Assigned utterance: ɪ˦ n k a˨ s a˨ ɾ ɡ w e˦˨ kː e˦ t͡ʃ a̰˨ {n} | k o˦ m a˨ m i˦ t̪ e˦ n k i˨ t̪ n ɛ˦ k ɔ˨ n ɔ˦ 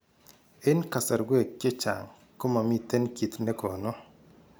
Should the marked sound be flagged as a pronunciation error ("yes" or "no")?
yes